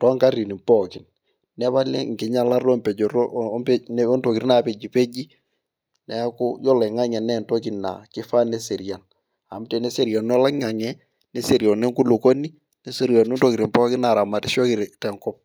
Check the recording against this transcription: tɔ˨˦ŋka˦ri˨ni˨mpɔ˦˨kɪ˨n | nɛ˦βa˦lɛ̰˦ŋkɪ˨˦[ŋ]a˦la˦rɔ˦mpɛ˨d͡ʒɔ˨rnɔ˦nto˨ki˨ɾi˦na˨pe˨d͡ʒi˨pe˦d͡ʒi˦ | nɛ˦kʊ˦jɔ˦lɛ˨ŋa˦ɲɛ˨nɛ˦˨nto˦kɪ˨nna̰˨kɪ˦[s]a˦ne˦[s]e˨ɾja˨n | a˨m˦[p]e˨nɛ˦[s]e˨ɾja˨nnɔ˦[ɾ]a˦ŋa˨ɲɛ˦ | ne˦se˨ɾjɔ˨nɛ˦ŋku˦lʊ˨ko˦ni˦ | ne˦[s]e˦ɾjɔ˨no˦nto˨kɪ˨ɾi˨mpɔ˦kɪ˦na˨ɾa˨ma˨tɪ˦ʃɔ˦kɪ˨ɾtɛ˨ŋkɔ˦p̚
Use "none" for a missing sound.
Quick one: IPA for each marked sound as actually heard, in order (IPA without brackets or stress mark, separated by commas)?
ɲ, f, s, t, s, l, s